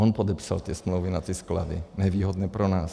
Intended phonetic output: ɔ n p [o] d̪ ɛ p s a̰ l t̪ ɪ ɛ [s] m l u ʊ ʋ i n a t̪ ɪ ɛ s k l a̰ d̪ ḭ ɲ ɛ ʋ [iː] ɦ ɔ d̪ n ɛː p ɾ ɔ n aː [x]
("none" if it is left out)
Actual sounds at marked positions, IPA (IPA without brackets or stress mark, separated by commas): ɔ, s, iː, s